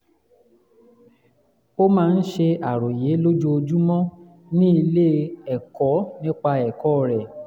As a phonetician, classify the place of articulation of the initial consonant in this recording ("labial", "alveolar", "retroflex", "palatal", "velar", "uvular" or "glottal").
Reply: labial